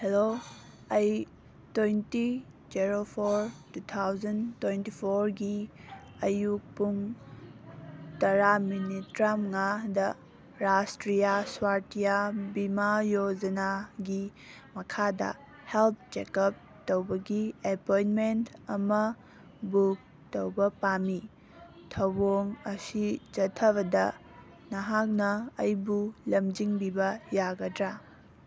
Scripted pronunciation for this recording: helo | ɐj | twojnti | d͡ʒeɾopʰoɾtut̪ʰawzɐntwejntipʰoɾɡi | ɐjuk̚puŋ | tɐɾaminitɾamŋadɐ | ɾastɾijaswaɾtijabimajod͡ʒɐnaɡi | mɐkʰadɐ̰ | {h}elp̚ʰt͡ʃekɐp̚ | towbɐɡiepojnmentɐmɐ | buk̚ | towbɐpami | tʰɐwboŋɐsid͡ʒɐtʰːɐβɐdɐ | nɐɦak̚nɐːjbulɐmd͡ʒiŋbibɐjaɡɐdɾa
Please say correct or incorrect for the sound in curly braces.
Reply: correct